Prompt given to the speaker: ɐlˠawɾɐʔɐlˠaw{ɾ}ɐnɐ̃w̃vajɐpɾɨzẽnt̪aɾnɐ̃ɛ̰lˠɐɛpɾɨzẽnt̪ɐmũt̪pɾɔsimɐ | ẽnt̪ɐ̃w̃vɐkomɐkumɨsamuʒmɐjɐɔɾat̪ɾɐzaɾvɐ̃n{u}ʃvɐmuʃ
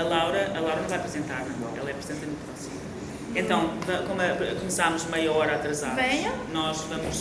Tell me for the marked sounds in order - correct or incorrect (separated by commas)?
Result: correct, incorrect